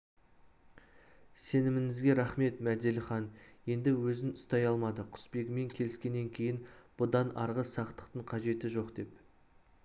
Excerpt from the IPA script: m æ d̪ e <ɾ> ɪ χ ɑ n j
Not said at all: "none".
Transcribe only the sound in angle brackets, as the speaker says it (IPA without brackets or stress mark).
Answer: l